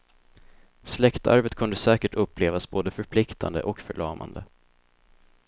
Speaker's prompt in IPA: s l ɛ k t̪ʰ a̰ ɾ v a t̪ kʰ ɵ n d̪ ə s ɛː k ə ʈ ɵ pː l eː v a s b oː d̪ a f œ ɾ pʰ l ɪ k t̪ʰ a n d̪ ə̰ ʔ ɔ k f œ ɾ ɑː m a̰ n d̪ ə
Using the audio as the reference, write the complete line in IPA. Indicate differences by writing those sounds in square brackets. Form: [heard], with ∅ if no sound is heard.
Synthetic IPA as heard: s l ɛ k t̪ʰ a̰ ɾ v [ə] t̪ kʰ ɵ n d̪ ə s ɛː k ə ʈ ɵ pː l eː v a s b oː d̪ [ə] f œ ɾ pʰ l ɪ k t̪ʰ a n d̪ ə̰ ʔ ɔ k f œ [ɭ] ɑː m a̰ n d̪ ə